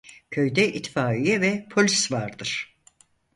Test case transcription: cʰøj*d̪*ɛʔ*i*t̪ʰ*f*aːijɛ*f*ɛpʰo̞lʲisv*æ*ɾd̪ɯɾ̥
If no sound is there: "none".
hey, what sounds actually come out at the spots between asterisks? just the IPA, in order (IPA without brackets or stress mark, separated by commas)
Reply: d̪, i, f, v, a